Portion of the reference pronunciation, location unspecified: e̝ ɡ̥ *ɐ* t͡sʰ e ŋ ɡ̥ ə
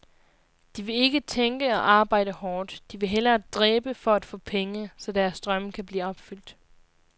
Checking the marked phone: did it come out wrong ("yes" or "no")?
yes